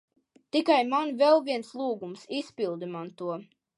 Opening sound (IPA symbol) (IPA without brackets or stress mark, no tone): t̪